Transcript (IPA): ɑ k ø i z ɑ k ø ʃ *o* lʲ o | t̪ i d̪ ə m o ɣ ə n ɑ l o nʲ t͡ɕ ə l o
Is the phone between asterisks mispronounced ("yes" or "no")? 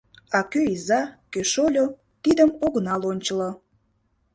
no